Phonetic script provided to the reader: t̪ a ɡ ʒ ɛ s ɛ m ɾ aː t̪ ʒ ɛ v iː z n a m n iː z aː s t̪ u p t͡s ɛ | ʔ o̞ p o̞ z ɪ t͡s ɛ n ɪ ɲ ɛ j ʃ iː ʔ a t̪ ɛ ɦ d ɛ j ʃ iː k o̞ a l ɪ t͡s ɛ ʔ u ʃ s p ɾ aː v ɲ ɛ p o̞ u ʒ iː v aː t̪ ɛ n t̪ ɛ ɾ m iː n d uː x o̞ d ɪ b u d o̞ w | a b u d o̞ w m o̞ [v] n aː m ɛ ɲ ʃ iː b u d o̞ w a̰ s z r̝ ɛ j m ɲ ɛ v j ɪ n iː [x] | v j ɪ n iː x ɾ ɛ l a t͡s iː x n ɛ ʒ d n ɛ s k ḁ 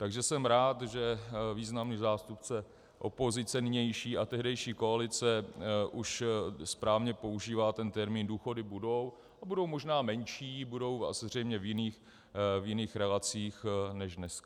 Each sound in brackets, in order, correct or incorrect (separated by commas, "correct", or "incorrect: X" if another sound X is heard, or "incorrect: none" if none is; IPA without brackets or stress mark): incorrect: ʒ, correct